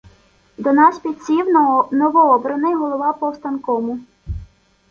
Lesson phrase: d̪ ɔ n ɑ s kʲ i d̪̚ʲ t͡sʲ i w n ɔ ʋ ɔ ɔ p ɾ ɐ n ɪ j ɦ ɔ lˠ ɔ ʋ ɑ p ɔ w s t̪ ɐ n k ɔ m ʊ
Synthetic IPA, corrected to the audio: d̪ ɔ n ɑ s pʲ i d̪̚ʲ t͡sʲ i w n ɔ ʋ ɔ ɔ b ɾ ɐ n ɪ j ɦ ɔ lˠ ɔ ʋ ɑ p ɔ w s t̪ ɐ n k ɔ m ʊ